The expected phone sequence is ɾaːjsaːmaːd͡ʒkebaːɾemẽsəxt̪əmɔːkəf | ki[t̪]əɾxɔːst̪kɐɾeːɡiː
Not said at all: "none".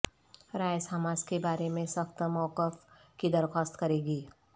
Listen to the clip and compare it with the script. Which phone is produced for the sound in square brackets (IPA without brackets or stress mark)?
d̪